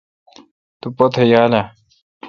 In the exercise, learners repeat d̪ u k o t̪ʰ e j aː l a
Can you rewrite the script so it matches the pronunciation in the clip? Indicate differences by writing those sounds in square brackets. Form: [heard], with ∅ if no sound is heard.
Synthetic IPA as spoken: [t̪] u [p] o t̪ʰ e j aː l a